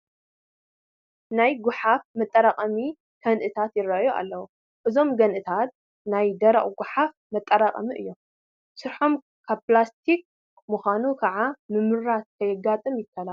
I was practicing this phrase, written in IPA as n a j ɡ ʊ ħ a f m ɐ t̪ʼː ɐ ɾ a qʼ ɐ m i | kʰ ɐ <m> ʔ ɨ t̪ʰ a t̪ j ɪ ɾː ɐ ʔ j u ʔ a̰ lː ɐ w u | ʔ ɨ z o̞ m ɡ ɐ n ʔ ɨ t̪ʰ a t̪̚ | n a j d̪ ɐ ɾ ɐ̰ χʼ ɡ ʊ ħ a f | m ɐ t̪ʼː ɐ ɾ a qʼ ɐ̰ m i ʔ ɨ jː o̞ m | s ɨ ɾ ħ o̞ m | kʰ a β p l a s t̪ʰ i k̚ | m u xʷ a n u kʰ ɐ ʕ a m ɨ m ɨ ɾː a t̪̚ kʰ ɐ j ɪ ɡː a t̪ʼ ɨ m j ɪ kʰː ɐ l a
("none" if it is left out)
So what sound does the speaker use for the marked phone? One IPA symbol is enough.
n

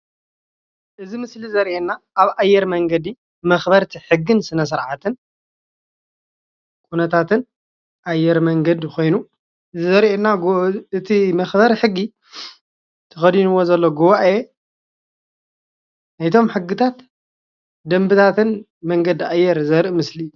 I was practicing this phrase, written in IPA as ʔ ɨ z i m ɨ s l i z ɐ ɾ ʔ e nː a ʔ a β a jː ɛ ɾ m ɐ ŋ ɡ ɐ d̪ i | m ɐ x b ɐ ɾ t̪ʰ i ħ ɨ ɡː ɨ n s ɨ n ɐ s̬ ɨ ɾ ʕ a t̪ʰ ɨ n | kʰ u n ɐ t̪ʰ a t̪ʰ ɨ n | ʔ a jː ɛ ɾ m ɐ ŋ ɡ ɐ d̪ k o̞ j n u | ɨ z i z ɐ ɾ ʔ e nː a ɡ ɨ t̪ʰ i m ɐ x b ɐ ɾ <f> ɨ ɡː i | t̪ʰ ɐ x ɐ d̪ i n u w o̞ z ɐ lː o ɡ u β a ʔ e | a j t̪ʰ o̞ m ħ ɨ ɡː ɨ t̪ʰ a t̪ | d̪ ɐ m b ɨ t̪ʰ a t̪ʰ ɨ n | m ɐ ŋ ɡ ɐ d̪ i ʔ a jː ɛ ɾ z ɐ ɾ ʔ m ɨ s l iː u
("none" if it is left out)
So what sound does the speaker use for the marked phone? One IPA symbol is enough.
ħ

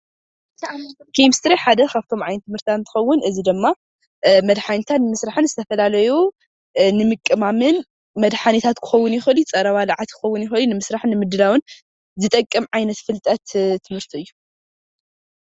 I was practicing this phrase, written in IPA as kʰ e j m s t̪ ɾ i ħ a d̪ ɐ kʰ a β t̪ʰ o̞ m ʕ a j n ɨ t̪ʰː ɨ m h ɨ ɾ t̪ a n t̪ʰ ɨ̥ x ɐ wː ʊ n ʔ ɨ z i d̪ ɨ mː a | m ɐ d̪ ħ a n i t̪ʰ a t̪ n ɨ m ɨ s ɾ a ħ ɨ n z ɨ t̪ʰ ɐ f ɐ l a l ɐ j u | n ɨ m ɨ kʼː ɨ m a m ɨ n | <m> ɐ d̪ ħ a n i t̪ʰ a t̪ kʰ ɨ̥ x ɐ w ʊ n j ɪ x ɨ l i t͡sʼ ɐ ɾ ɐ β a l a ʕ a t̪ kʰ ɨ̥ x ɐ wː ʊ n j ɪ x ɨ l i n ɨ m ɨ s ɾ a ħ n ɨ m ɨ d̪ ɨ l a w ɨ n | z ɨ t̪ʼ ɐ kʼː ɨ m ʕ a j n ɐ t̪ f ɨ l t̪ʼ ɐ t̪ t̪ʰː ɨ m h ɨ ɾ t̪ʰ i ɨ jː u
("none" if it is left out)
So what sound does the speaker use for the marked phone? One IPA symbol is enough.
m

